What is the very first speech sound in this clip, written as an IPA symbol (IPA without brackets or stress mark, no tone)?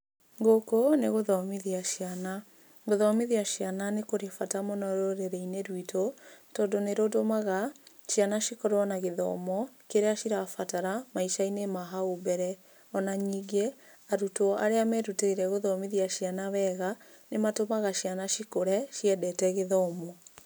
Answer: ŋ